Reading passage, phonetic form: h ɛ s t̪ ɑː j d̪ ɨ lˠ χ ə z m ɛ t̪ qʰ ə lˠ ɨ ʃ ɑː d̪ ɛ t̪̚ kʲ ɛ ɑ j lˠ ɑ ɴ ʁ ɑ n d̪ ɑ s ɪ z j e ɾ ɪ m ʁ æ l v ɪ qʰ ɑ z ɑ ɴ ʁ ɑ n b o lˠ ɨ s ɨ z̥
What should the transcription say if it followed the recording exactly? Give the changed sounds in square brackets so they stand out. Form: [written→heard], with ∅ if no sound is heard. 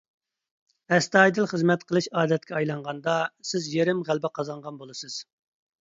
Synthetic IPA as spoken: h ɛ s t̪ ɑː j d̪ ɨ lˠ χ ə z m ɛ t̪ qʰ ə lˠ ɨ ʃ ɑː d̪ ɛ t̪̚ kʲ ɛ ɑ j lˠ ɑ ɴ ʁ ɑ n d̪ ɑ s ɪ z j e ɾ ɪ m ʁ æ l [v→b] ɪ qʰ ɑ z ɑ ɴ ʁ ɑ n b o lˠ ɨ s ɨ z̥